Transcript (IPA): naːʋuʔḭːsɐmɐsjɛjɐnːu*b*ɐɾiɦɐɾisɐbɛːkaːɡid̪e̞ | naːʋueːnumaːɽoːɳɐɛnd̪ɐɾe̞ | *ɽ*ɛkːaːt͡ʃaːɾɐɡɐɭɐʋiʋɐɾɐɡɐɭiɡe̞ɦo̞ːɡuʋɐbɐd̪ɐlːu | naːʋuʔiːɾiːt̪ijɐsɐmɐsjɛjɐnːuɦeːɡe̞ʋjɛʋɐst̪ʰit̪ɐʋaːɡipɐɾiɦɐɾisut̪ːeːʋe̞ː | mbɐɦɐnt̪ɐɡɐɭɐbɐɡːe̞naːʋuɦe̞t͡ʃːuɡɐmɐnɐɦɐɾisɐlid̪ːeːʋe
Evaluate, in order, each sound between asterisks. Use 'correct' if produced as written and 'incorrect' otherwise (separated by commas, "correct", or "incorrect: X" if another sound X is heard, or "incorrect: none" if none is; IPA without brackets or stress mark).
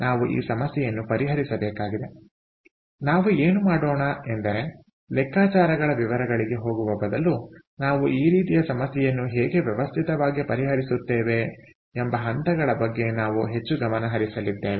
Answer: incorrect: p, incorrect: l